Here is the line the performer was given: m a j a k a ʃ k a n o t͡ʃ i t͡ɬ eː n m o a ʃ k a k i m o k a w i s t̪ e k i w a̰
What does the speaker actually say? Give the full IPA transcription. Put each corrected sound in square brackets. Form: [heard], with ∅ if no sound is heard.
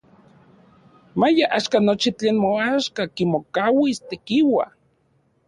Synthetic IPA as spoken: m a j a [ʔ] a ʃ k a n o t͡ʃ i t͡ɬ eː n m o a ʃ k a k i m o k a w i s t̪ e k i w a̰